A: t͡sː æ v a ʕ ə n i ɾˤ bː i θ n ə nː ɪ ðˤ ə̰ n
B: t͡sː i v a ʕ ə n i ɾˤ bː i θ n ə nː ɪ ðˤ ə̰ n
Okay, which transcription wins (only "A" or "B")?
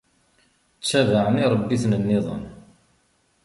A